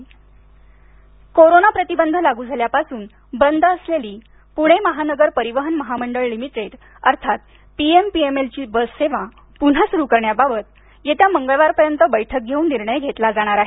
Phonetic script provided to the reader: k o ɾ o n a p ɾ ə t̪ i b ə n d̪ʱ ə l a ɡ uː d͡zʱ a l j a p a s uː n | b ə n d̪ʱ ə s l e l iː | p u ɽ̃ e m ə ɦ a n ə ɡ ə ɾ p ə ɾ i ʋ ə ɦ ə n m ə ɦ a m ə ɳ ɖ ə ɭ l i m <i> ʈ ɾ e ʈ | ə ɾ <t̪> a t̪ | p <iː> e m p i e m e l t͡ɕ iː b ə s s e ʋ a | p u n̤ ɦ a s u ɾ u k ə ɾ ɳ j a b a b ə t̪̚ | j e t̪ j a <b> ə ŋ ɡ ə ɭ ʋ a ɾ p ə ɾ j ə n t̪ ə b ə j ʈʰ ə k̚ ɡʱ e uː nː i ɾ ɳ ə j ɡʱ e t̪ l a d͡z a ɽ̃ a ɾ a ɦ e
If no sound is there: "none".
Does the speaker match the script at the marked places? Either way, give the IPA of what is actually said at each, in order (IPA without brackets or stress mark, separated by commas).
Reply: i, t̪ʰ, i, m